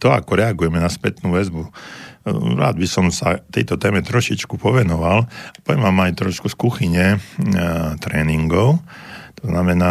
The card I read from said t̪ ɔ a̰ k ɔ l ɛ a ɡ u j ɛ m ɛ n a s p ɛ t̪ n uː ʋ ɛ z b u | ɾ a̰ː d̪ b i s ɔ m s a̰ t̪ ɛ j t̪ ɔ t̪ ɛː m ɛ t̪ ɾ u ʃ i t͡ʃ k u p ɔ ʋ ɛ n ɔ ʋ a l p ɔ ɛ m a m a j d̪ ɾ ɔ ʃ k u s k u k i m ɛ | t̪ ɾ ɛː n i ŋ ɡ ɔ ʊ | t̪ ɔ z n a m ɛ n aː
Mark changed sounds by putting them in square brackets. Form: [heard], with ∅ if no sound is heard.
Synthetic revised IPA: t̪ ɔ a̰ k ɔ [ɾ] ɛ a ɡ u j ɛ m ɛ n a s p ɛ t̪ n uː ʋ ɛ z b u | ɾ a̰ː d̪ b i s ɔ m s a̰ t̪ ɛ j t̪ ɔ t̪ ɛː m ɛ t̪ ɾ [ɔ] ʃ i t͡ʃ k u p ɔ ʋ ɛ n ɔ ʋ a l p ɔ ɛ m a m a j [t̪] ɾ ɔ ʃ k u s k u [x] i [ɲ] ɛ | t̪ ɾ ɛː n i ŋ ɡ ɔ ʊ | t̪ ɔ z n a m ɛ n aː